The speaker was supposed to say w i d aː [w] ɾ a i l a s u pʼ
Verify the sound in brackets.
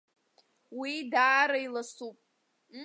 incorrect: none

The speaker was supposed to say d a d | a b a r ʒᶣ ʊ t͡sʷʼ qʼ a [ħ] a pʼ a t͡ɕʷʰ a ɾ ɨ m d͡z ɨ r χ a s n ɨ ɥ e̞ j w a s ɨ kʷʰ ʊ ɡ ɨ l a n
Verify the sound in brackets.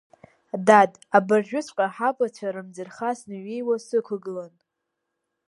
correct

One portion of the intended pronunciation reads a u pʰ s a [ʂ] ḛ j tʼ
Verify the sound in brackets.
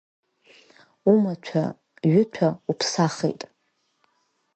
incorrect: χ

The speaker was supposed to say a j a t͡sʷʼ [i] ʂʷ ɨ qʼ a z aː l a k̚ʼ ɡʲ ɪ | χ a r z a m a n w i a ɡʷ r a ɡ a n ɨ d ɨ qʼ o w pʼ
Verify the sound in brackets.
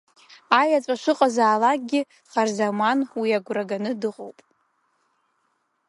incorrect: a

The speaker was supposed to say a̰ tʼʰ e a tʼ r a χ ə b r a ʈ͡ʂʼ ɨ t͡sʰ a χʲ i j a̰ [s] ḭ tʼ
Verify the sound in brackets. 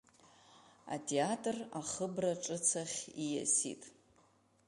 correct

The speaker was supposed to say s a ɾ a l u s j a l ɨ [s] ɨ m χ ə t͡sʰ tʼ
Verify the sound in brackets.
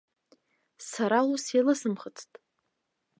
correct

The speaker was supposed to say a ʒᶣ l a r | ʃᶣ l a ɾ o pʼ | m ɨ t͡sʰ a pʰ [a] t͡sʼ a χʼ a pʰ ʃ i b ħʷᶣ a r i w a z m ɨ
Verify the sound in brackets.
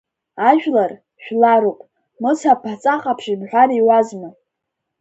correct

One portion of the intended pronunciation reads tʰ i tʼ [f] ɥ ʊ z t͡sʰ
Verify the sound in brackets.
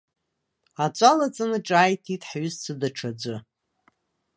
incorrect: ħ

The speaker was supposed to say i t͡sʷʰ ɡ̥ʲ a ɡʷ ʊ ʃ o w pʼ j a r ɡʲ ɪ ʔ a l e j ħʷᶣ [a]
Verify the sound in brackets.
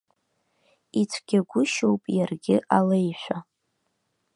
correct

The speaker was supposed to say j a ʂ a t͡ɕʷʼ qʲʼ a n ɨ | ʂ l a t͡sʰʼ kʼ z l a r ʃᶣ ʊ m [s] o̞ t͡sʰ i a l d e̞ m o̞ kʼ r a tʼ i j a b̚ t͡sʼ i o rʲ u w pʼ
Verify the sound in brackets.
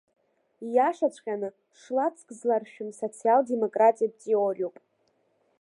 correct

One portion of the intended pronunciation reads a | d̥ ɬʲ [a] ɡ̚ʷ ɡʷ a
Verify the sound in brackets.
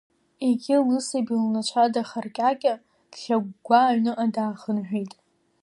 correct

